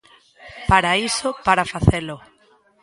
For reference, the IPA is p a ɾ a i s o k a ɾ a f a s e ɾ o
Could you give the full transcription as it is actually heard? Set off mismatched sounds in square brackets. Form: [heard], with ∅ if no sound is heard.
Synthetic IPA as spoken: p a ɾ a i s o [p] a ɾ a f a [θ] e [l] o